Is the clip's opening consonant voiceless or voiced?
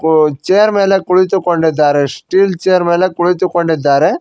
voiceless